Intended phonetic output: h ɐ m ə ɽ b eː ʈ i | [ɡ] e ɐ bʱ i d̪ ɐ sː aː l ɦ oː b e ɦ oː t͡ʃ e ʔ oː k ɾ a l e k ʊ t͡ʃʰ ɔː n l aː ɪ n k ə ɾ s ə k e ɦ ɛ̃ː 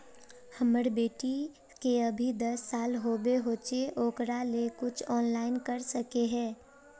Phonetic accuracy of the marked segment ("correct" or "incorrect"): incorrect